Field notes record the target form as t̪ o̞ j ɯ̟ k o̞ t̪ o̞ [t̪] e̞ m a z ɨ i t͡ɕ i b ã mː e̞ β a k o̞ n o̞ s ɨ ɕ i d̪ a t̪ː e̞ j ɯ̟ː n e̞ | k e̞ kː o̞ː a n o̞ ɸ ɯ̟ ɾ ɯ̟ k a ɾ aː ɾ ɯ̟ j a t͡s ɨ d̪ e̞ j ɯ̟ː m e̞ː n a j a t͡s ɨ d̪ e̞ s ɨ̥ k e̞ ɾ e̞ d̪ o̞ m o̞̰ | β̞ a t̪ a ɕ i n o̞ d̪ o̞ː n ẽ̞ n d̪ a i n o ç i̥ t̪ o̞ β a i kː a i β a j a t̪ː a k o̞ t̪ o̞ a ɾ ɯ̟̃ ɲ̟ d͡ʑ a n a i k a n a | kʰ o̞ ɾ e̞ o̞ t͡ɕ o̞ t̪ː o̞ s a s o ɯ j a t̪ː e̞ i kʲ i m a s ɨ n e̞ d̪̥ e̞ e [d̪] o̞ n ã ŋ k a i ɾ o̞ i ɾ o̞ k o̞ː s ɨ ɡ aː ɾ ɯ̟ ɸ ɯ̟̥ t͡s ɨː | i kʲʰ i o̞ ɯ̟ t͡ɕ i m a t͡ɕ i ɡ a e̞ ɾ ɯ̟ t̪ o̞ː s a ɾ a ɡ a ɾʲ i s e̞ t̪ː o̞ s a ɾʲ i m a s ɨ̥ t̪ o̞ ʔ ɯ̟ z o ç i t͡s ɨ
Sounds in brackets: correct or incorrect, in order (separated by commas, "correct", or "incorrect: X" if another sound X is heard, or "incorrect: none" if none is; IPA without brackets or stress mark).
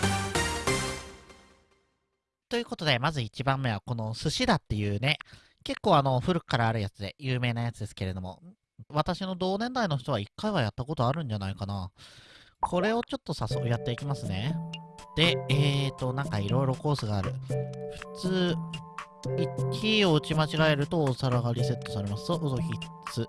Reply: incorrect: d̪, incorrect: t̪